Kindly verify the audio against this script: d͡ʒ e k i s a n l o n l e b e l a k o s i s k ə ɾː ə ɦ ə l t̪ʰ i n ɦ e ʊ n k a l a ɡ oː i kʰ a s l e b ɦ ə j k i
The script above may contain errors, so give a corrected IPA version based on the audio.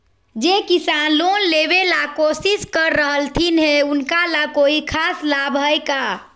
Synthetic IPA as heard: d͡ʒ e k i s a n l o n l e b e l a k o s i s k ə ɾː ə ɦ ə l t̪ʰ i n ɦ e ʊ n k a l a k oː i kʰ a s l a b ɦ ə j k a